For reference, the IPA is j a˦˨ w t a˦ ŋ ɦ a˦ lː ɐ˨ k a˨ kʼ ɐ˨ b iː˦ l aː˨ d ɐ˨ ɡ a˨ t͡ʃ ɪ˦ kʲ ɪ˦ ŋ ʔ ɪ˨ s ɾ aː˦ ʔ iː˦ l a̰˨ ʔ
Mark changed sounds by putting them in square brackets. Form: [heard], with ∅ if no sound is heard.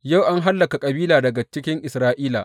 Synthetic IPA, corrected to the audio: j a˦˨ w [ʔ] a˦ ŋ ɦ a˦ lː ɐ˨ k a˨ kʼ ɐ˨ b iː˦ l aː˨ d ɐ˨ ɡ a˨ t͡ʃ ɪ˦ kʲ ɪ˦ ŋ ʔ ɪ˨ s ɾ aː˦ ʔ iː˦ l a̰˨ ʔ